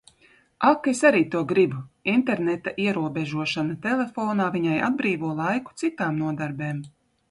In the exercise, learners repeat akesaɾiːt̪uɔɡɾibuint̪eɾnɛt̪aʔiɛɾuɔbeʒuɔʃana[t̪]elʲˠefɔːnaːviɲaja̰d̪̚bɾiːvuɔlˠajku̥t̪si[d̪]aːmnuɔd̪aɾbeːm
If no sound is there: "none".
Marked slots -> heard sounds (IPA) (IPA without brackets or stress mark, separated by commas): t̪, t̪